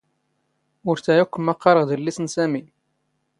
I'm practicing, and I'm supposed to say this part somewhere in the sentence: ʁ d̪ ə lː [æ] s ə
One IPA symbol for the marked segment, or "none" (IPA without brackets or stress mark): i